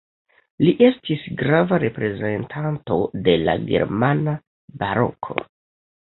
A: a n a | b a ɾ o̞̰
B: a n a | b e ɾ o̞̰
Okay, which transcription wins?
A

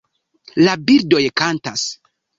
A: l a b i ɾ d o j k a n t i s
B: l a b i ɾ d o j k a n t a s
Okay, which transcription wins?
B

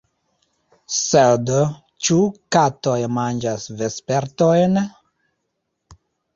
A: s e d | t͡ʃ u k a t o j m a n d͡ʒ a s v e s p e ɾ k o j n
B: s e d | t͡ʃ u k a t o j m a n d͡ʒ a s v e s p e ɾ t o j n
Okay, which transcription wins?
B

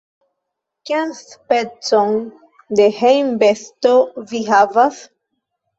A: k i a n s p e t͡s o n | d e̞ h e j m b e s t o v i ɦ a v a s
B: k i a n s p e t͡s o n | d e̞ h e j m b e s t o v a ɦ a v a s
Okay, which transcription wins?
A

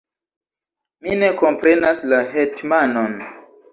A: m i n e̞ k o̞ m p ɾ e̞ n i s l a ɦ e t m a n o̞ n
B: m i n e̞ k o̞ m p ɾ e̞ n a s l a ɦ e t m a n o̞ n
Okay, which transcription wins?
B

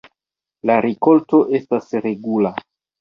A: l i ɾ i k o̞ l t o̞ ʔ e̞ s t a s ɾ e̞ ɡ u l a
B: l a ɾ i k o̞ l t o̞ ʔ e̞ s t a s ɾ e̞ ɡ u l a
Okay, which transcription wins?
B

